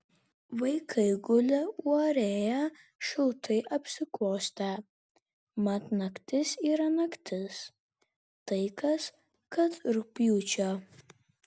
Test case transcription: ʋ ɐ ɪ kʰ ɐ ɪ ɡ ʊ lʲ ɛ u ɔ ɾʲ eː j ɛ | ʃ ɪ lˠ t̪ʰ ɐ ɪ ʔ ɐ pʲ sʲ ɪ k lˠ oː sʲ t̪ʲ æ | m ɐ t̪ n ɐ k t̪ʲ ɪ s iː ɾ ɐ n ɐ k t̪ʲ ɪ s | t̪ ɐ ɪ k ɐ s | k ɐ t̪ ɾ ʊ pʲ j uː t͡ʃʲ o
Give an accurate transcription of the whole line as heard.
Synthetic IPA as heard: ʋ ɐ ɪ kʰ ɐ ɪ ɡ ʊ lʲ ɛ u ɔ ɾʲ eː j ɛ | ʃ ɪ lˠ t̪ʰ ɐ ɪ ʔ ɐ pʲ sʲ ɪ k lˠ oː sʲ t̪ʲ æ | m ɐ t̪ n ɐ k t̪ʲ ɪ s iː ɾ ɐ n ɐ k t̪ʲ ɪ s | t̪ ɐ ɪ k ɐ s | k ɐ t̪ ɾ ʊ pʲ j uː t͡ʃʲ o